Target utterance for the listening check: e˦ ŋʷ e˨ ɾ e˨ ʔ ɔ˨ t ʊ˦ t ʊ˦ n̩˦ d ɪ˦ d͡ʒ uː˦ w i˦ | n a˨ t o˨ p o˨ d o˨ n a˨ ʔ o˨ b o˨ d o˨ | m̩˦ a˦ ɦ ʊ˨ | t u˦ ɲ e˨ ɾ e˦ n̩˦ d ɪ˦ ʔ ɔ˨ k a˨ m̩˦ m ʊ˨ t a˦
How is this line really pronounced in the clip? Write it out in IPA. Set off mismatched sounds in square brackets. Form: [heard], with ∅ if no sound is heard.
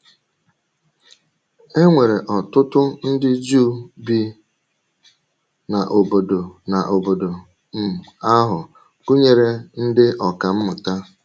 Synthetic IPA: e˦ ŋʷ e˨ ɾ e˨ ʔ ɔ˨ t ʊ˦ t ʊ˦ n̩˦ d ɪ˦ d͡ʒ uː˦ [b] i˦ | n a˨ [ʔ] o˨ [b] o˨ d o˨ n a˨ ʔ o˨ b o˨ d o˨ | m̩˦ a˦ ɦ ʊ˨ | [k] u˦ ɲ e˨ ɾ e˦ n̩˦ d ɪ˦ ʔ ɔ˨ k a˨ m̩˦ m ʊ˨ t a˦